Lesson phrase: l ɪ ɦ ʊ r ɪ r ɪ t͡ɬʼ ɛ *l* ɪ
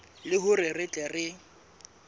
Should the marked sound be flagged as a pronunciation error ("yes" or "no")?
yes